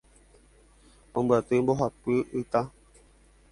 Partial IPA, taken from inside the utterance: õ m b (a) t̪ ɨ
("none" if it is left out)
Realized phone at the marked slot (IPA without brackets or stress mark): a